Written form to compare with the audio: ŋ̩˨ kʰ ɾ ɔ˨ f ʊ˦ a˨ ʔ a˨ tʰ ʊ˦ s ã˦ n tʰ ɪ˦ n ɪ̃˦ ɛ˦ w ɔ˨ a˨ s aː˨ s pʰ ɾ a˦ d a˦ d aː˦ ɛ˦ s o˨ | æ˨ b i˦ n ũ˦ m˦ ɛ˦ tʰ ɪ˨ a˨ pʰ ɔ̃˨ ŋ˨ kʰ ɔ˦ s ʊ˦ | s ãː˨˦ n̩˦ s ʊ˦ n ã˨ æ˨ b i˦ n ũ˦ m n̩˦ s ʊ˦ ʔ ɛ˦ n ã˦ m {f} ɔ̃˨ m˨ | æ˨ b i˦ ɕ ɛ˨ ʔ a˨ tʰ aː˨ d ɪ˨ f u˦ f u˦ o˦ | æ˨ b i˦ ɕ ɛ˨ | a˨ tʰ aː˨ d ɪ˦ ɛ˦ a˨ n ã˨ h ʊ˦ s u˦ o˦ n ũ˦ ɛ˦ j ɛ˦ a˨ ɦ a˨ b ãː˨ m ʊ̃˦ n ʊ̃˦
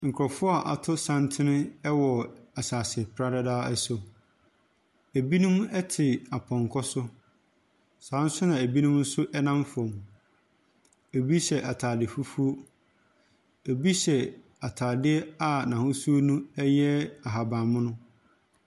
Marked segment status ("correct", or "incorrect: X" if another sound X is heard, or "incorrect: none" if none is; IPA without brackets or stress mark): correct